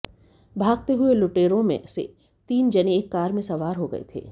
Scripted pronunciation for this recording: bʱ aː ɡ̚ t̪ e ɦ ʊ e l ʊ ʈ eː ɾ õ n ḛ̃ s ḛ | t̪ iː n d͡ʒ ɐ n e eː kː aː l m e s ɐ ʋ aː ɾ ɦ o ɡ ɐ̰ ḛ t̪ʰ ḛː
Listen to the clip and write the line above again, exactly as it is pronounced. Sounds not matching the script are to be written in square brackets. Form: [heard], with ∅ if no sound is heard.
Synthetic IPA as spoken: bʱ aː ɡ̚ t̪ e ɦ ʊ e l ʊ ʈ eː ɾ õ [m] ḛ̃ s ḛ | t̪ iː n d͡ʒ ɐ n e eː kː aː [ɾ] m [ẽ] s ɐ ʋ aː ɾ ɦ o ɡ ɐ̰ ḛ t̪ʰ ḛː